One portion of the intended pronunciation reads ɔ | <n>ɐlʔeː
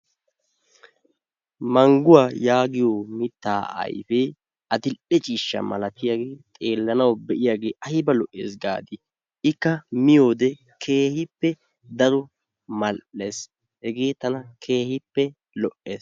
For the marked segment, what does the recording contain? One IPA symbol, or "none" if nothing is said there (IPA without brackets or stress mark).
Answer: m